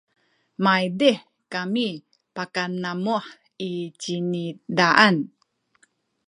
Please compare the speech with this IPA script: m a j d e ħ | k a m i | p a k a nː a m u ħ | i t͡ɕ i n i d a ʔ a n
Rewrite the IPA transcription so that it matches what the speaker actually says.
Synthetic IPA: m a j d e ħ | k a m i | p a k a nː a m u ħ | i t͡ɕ i n i d a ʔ a n